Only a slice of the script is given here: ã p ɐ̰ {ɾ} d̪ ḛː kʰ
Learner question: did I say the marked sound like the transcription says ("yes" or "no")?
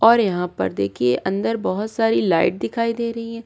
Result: yes